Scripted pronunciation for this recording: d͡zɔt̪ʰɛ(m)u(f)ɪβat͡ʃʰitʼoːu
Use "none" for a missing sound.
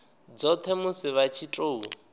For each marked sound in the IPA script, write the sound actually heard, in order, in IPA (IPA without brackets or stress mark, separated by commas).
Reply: m, s